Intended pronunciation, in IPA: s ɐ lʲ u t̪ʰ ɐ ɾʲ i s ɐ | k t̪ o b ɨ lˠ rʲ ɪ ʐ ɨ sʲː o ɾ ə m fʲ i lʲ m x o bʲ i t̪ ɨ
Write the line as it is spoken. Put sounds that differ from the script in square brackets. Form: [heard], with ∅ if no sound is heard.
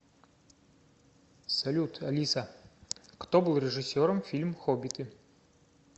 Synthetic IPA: s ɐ lʲ u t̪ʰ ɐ [lʲ] i s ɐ | k t̪ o b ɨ lˠ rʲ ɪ ʐ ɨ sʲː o ɾ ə m fʲ i lʲ m x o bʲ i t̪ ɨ